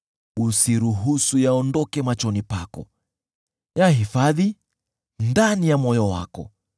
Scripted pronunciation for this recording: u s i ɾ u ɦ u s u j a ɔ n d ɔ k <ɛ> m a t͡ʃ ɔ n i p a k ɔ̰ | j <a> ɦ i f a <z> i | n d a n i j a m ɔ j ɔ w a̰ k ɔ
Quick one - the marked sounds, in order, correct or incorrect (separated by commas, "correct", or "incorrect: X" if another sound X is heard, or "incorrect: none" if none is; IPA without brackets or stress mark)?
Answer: correct, correct, incorrect: ð